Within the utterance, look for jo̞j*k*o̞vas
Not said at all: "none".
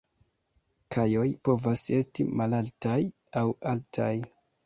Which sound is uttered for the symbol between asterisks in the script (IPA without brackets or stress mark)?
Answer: p